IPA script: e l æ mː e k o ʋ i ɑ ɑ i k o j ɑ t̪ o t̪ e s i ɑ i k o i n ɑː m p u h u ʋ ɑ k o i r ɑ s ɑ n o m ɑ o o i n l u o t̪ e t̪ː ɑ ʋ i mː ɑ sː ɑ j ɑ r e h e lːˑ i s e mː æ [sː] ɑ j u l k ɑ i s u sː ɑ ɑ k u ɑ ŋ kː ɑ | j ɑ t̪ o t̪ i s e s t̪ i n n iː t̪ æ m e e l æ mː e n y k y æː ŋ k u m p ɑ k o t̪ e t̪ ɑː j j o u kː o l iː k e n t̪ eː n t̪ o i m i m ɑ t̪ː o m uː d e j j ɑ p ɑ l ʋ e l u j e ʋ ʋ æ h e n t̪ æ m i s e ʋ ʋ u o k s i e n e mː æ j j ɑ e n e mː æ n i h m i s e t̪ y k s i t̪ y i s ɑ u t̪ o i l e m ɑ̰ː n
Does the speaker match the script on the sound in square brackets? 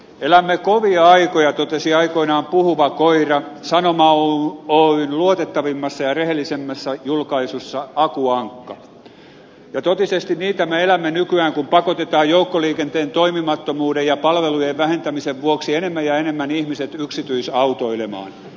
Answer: yes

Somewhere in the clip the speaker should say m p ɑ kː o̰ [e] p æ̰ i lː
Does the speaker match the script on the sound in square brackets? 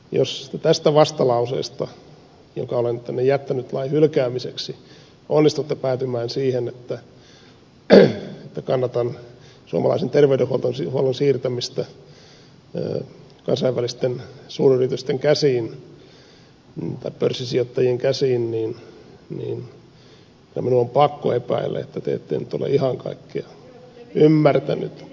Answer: yes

